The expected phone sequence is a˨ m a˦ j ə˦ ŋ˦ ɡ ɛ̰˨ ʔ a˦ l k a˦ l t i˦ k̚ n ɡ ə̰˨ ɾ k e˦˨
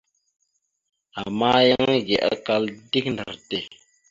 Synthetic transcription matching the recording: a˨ m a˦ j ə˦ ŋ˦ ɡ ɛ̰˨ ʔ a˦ k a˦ l d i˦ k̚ n d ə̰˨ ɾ t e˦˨